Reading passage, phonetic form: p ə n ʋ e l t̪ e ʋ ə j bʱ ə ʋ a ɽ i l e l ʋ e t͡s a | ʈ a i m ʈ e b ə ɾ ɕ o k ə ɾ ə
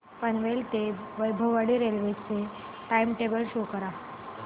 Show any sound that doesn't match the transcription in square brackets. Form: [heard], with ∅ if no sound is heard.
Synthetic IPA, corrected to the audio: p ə n ʋ e l t̪ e ʋ ə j bʱ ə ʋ a ɽ i [ɾ] e l ʋ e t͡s [e] | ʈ a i m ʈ e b ə [l] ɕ o k ə ɾ [a]